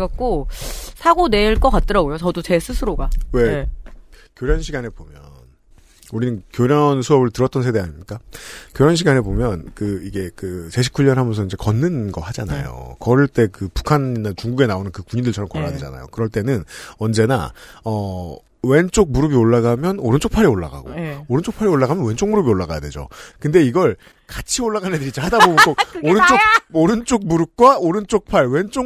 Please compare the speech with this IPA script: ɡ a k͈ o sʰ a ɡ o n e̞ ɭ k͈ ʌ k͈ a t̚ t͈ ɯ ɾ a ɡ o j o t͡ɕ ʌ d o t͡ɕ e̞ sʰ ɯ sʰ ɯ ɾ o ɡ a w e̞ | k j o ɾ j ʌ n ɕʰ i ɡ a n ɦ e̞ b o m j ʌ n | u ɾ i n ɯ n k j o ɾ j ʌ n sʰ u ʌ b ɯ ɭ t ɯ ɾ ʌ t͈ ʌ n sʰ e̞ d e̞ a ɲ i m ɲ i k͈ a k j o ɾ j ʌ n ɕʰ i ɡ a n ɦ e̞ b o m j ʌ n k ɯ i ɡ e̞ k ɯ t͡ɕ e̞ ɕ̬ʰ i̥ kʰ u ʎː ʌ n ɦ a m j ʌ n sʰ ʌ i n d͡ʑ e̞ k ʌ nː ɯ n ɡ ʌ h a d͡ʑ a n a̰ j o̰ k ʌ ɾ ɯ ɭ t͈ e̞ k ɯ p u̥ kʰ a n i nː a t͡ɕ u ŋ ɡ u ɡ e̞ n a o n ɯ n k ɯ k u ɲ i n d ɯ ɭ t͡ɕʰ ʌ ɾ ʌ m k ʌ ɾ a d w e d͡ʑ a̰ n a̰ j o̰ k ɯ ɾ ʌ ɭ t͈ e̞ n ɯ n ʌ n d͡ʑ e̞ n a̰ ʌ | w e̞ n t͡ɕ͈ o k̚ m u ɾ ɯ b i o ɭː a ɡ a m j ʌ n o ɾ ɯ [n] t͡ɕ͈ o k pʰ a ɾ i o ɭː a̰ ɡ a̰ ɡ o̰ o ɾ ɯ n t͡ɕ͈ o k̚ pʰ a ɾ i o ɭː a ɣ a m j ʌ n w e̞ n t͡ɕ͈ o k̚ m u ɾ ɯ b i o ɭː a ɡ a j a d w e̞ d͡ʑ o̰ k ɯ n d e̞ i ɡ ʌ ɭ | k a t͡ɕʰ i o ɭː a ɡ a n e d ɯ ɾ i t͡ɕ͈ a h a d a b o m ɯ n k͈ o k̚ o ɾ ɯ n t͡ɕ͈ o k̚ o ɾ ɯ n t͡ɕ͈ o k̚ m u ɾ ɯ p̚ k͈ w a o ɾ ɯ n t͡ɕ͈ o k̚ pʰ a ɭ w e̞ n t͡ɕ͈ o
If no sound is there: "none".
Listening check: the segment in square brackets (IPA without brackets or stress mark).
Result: n